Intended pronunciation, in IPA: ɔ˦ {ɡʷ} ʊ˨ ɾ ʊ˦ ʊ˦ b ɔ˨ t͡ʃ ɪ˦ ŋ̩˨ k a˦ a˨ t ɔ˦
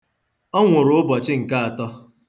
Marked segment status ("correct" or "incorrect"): incorrect